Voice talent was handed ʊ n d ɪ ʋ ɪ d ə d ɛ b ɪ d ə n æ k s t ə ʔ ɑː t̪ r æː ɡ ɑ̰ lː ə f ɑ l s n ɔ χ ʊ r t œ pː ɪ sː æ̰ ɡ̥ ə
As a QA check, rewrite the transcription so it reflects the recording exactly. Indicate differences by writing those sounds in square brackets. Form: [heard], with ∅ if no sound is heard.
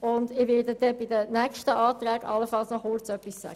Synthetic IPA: ʊ n d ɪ ʋ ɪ d ə d ɛ b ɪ d ə n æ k [ʃ] t ə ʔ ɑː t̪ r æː ɡ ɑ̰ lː ə f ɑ l s n ɔ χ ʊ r [t͡s] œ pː [i] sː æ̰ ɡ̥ ə